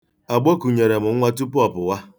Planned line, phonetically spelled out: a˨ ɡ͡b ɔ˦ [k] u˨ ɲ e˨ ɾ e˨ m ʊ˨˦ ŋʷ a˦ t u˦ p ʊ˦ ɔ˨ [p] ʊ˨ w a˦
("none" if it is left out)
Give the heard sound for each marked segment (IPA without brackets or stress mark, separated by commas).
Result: k, p